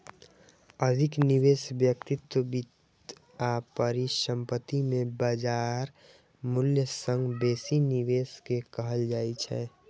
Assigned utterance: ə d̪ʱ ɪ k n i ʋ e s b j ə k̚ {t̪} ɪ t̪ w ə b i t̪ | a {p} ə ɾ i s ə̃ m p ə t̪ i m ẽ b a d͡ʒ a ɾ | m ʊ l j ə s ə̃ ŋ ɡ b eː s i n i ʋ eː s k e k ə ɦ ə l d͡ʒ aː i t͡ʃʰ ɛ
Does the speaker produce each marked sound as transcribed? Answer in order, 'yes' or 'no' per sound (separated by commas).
yes, yes